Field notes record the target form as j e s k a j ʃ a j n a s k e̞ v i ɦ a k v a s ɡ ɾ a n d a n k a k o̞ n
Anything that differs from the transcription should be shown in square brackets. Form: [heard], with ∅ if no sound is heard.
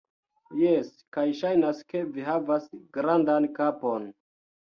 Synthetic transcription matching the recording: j e s k a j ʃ a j n a s k e̞ v i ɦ a [∅] v a s ɡ ɾ a n d a n k a [p] o̞ n